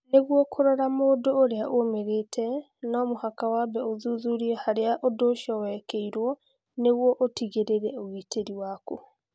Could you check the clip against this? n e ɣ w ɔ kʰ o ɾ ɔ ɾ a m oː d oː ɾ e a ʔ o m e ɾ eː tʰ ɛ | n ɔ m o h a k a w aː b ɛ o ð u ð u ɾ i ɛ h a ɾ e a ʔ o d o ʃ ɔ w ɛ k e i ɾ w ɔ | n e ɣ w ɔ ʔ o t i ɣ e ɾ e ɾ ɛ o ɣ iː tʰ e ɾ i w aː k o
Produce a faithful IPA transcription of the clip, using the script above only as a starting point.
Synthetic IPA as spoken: n e ɣ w ɔ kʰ o ɾ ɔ ɾ a m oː d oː ɾ e a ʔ o m e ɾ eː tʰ ɛ | n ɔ m o h a k a w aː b ɛ o ð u ð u ɾ i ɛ h a ɾ e a ʔ o d o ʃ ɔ w ɛ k e i ɾ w ɔ | n e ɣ w ɔ ʔ o t i ɣ e ɾ e ɾ ɛ o ɣ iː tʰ e ɾ i w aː k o

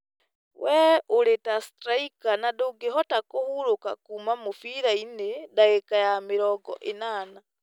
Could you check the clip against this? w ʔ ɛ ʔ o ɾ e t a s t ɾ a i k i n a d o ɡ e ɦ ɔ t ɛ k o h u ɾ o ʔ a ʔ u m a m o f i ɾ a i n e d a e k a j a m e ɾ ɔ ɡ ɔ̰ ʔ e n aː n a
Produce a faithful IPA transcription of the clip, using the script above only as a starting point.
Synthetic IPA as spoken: w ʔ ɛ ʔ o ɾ e t a s t ɾ a i k a n a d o ɡ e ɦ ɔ t a k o h u ɾ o k a k u m a m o f i ɾ a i n e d a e k a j a m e ɾ ɔ ɡ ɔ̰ ʔ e n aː n a

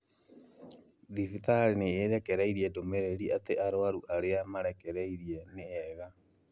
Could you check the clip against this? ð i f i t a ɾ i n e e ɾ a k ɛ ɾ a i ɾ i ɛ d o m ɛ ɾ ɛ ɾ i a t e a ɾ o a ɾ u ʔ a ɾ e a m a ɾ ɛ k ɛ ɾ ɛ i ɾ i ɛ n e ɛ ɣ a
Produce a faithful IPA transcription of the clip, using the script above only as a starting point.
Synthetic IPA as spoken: ð i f i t a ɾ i n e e ɾ ɛ k ɛ ɾ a i ɾ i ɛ d o m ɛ ɾ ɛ ɾ i a t e a ɾ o a ɾ u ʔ a ɾ e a m a ɾ ɛ k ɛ ɾ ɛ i ɾ i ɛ n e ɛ ɣ a

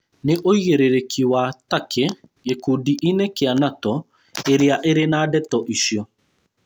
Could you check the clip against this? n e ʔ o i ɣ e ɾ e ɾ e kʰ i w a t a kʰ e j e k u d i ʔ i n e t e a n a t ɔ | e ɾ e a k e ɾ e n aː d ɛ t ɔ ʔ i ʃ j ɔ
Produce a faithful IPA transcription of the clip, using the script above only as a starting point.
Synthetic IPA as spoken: n e ʔ o i ɣ e ɾ e ɾ e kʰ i w a t a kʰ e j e k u d i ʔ i n e k e a n a t ɔ | e ɾ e a ʔ e ɾ e n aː d ɛ t ɔ ʔ i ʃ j ɔ

